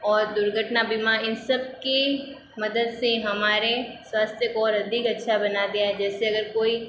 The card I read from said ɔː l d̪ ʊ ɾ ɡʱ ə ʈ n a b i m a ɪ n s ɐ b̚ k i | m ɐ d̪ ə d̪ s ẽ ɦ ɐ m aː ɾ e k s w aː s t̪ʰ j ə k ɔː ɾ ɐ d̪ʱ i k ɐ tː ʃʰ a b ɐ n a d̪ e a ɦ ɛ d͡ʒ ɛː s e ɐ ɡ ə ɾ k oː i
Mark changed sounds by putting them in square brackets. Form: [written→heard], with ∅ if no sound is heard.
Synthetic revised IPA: ɔː [l→ɾ] d̪ ʊ ɾ ɡʱ ə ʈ n a b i m a ɪ n s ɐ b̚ k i | m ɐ d̪ ə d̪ s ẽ ɦ ɐ m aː ɾ e [k→∅] s w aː s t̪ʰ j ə k ɔː ɾ ɐ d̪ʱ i k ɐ tː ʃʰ a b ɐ n a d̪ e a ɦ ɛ d͡ʒ ɛː s e ɐ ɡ ə ɾ k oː i